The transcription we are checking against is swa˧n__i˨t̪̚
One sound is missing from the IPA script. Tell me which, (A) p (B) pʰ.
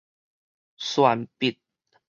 A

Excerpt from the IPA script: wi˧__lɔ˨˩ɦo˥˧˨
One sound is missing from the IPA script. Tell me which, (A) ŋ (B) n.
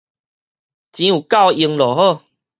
A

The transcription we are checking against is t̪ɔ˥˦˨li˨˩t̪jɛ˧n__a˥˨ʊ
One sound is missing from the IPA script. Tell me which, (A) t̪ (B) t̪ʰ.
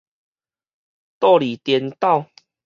A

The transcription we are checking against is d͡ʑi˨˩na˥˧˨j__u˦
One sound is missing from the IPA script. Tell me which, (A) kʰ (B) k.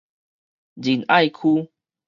A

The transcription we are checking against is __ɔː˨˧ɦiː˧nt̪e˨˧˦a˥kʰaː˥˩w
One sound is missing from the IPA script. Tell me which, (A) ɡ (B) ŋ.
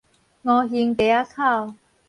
B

